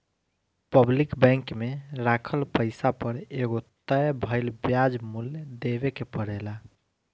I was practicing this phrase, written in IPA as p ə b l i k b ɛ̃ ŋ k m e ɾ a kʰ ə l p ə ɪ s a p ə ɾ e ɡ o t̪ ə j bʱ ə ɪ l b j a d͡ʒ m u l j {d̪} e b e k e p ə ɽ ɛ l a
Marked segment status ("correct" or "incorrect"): correct